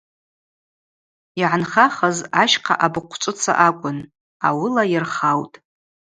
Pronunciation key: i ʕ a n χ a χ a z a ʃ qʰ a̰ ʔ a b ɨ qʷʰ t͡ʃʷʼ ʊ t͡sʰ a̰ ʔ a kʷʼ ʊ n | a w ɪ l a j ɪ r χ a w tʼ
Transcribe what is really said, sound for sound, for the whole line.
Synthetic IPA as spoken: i ʕ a n χ a χ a z a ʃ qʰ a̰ ʔ a b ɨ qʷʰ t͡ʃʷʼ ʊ t͡sʰ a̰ ʔ a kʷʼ ʊ n | a w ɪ l a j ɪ r χ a w tʼ